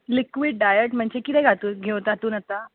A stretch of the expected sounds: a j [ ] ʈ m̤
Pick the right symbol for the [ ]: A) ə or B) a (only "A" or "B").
A